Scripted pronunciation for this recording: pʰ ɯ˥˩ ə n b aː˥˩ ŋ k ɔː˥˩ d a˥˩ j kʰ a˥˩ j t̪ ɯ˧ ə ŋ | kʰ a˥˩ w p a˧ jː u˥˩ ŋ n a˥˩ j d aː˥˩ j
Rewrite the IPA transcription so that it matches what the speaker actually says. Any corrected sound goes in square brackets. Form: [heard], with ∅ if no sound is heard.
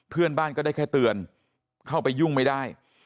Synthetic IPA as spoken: pʰ ɯ˥˩ ə n b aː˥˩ [n] k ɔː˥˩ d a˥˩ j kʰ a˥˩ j t̪ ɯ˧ ə [n] | kʰ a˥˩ w p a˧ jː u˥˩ ŋ [m] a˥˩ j d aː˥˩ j